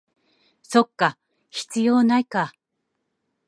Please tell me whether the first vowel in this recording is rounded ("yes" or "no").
yes